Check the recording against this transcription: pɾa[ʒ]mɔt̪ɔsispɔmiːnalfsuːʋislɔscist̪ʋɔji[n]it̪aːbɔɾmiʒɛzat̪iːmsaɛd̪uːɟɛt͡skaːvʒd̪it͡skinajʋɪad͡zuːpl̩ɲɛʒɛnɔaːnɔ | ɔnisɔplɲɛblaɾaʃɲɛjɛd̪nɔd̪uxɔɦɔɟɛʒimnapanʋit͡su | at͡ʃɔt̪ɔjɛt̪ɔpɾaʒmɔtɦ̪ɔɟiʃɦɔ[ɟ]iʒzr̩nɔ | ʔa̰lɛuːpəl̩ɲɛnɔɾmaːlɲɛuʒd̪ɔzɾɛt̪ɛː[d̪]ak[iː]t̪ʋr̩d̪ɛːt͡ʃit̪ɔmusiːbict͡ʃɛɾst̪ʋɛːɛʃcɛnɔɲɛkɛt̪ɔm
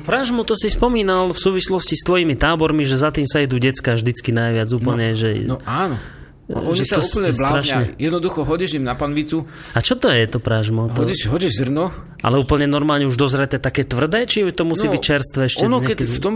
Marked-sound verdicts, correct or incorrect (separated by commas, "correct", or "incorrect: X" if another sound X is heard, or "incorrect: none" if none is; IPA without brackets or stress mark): correct, incorrect: m, correct, incorrect: t̪, incorrect: ɛː